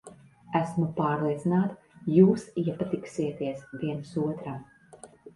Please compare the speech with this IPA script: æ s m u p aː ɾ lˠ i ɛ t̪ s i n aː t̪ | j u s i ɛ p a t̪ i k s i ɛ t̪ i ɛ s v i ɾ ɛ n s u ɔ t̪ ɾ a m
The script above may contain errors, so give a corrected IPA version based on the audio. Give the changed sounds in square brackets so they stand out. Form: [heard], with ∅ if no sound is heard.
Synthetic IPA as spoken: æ s m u p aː ɾ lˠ i ɛ t̪ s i n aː t̪ | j [uː] s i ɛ p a t̪ i k s i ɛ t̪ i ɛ s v i [∅] ɛ n s u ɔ t̪ ɾ a m